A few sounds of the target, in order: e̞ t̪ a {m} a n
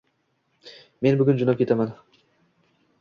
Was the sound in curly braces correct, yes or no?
yes